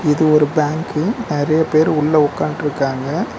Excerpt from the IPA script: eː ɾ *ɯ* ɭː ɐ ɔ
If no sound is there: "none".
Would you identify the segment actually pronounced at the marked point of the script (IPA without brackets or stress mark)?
ʊ